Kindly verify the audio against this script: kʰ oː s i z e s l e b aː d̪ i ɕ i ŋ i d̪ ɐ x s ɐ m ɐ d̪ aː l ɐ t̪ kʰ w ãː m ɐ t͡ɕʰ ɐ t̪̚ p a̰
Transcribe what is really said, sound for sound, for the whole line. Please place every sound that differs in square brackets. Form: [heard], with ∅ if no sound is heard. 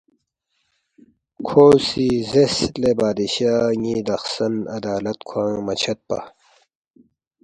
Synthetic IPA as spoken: kʰ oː s i z e s l e b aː d̪ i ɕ [a] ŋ i d̪ ɐ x s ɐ [n] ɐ d̪ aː l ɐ t̪ kʰ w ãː m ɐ t͡ɕʰ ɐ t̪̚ p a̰